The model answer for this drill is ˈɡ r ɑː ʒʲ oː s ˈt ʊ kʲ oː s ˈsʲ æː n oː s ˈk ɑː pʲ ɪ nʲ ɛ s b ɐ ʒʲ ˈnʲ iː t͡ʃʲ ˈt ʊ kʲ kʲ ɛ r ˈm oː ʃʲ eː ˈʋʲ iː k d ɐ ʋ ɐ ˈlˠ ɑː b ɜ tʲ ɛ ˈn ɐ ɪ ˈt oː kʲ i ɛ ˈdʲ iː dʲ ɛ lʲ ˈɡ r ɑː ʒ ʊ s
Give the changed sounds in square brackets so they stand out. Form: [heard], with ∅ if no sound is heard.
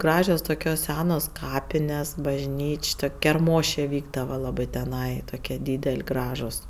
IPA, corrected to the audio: ˈɡ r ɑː ʒʲ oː s ˈt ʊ kʲ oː s ˈsʲ æː n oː s ˈk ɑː pʲ ɪ nʲ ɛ s b ɐ ʒʲ ˈnʲ iː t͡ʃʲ ˈt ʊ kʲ kʲ ɛ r ˈm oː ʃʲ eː ˈʋʲ iː [ɡ] d ɐ ʋ ɐ ˈlˠ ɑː b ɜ tʲ ɛ ˈn ɐ ɪ ˈt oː kʲ i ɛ ˈdʲ iː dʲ ɛ lʲ ˈɡ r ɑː ʒ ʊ s